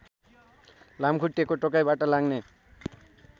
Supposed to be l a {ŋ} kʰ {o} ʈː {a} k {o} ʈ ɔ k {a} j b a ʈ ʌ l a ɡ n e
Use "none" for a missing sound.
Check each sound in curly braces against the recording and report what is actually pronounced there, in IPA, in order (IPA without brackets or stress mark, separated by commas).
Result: m, u, e, o, a